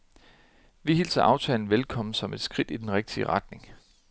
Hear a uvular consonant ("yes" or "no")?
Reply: yes